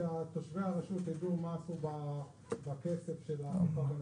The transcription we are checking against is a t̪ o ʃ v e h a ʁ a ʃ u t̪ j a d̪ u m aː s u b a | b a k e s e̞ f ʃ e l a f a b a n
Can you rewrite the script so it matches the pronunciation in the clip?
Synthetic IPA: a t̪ o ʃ v e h a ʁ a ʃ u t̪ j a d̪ u m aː s u b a | b a k e s e̞ f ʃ e l a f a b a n